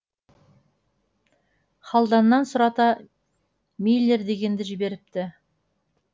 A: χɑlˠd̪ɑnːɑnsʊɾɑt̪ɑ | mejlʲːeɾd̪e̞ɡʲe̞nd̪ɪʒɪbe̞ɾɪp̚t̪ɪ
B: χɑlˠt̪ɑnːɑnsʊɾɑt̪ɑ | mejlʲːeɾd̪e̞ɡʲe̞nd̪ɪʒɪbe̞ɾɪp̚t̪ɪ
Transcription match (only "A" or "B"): A